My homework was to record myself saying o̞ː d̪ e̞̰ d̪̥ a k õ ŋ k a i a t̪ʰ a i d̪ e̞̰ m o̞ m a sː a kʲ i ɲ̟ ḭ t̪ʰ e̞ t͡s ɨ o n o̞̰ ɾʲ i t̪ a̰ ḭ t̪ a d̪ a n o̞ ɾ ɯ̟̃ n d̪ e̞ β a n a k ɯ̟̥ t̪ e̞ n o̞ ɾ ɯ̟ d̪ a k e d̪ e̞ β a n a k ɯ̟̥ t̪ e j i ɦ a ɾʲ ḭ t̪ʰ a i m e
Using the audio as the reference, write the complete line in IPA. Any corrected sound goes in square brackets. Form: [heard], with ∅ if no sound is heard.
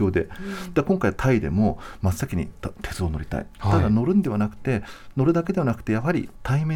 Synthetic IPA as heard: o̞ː d̪ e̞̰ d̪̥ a k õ ŋ k a i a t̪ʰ a i d̪ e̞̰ m o̞ m a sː a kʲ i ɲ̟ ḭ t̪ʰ e̞ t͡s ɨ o n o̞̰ ɾʲ i t̪ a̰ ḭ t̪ a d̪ a n o̞ ɾ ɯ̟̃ n d̪ e̞ β a n a k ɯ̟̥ t̪ e̞ n o̞ ɾ ɯ̟ d̪ a k e d̪ e̞ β a n a k ɯ̟̥ t̪ e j [a] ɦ a ɾʲ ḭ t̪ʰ a i m e